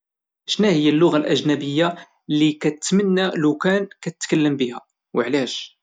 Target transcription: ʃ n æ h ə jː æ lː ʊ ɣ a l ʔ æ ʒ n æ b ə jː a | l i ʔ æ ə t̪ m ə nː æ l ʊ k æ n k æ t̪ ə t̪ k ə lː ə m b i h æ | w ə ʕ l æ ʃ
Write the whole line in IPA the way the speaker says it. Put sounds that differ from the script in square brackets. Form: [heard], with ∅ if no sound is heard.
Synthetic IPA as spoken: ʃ n æ h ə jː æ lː ʊ ɣ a l ʔ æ ʒ n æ b ə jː a | l i [k] æ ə t̪ m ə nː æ l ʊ k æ n k æ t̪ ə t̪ k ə lː ə m b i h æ | w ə ʕ l æ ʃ